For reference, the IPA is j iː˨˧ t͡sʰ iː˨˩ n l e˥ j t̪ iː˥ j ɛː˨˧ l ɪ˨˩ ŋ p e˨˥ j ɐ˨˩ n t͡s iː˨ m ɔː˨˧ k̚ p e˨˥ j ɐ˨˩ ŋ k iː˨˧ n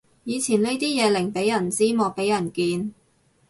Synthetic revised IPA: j iː˨˧ t͡sʰ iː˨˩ n l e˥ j t̪ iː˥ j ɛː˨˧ l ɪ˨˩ ŋ p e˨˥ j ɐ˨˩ n t͡s iː˥ m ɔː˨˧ k̚ p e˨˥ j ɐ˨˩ n k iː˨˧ n

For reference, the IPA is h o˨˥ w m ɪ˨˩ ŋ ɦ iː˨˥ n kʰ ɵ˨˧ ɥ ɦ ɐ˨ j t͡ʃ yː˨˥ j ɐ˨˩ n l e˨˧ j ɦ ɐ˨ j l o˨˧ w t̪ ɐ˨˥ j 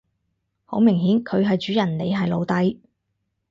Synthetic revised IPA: h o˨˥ w m ɪ˨˩ ŋ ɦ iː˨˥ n kʰ ɵ˨˧ ɥ ɦ ɐ˨ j t͡ʃ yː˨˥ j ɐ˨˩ n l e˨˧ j ɦ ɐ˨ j l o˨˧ w t̪ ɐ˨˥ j

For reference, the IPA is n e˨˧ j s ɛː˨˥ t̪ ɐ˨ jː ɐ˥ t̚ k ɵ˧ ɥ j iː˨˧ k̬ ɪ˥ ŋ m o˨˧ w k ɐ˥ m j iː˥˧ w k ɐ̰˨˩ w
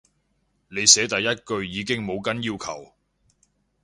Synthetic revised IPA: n e˨˧ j s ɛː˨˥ t̪ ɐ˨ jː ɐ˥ t̚ k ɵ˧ ɥ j iː˨˧ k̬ ɪ˥ ŋ m o˨˧ w k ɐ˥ n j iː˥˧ w kʰ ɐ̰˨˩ w

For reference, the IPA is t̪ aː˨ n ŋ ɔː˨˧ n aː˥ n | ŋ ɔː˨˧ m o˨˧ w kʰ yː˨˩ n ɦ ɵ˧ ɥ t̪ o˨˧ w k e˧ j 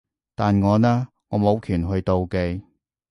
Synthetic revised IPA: t̪ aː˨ n ŋ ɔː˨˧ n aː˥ | ŋ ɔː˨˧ m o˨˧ w kʰ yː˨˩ n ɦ ɵ˧ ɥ t̪ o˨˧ w k e˧ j

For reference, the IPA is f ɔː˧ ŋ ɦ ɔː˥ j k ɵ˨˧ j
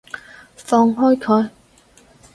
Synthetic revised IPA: f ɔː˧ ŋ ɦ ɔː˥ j kʰ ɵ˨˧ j

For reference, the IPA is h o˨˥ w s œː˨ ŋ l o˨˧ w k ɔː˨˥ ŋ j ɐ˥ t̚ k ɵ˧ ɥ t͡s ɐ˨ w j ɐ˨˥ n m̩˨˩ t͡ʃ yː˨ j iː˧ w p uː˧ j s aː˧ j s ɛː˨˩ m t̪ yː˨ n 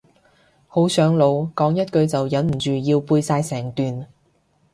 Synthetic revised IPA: h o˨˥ w s œː˨˥ ŋ l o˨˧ w k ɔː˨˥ ŋ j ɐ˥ t̚ k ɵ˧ ɥ t͡s ɐ˨ w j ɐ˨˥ n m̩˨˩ t͡ʃ yː˨ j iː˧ w p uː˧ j s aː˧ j s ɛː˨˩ ŋ t̪ yː˨ n

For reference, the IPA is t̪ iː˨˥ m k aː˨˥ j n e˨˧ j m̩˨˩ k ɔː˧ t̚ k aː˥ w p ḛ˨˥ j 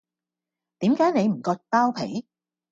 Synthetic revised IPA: t̪ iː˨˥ m k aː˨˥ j n e˨˧ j m̩˨˩ k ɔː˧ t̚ p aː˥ w pʰ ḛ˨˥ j

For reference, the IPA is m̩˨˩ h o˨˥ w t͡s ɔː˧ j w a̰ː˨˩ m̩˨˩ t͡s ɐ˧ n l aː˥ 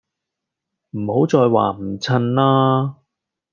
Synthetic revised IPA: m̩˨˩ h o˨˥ w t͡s ɔː˧ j w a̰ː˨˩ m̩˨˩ t͡sʰ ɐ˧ n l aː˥

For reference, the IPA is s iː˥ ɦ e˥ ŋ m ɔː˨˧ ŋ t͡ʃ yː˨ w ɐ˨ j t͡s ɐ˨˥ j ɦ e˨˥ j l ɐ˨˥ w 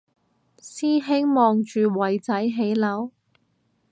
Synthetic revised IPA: s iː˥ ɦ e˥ ŋ m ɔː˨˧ ŋ t͡ʃ yː˨ w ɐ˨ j t͡s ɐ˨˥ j ɦ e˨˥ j l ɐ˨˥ w

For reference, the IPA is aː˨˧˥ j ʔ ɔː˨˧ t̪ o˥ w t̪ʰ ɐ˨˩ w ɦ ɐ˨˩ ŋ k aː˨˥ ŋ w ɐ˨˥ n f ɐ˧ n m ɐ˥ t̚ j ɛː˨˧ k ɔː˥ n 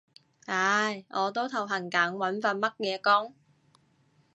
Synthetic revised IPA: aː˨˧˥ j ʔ ɔː˨˧ t̪ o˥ w t̪ʰ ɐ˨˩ w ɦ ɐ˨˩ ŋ k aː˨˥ ŋ w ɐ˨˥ n f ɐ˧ n m ɐ˥ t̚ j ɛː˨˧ k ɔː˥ ŋ

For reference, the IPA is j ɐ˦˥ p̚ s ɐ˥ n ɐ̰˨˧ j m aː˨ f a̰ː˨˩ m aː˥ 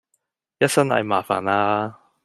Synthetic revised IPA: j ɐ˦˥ t̚ s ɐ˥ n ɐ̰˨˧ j m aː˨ f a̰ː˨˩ n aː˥

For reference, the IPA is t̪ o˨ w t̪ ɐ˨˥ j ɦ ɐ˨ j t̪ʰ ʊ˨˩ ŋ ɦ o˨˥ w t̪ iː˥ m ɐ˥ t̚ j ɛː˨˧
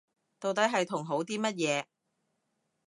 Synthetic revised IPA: t̪ o˨ w t̪ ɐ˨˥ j ɦ ɐ˨ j t̪ʰ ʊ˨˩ ŋ ɦ o˨˥ w t̪ iː˥ m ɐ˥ t̚ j ɛː˨˧

